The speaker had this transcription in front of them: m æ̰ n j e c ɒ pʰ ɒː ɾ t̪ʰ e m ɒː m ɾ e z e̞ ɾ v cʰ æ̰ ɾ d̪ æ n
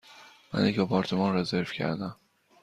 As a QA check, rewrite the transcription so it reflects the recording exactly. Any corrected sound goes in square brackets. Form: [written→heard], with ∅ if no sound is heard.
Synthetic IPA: m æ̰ n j e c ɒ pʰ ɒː ɾ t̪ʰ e m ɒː [m→n] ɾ e z e̞ ɾ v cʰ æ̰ ɾ d̪ æ [n→m]